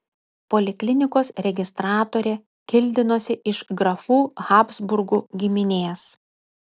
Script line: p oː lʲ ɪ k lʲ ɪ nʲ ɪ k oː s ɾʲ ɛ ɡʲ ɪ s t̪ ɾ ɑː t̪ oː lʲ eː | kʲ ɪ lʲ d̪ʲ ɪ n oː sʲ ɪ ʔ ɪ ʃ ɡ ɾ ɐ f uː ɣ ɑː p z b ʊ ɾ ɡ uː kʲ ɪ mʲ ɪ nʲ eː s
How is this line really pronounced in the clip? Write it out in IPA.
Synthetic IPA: p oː lʲ ɪ k lʲ ɪ nʲ ɪ k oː s ɾʲ ɛ ɡʲ ɪ s t̪ ɾ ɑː t̪ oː ɾʲ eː | kʲ ɪ lʲ d̪ʲ ɪ n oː sʲ ɪ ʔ ɪ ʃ ɡ ɾ ɐ f uː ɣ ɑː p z b ʊ ɾ ɡ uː ɡʲ ɪ mʲ ɪ nʲ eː s